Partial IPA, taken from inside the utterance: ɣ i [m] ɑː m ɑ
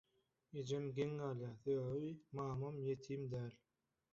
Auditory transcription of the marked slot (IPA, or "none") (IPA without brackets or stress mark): m